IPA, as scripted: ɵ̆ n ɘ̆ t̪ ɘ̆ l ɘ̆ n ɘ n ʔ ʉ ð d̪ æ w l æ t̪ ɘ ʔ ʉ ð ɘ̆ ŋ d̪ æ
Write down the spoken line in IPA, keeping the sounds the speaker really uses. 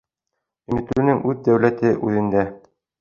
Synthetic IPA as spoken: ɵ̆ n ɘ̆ t̪ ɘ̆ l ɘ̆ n ɘ ŋ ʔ ʉ ð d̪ æ w l æ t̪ ɘ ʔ ʉ ð ɘ̆ n d̪ æ